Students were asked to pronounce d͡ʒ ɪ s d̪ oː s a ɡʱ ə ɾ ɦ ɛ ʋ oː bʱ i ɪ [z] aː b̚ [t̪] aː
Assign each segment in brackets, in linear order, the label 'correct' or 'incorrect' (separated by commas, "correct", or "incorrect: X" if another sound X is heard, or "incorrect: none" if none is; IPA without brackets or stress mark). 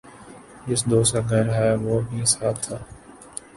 incorrect: s, incorrect: t̪ʰ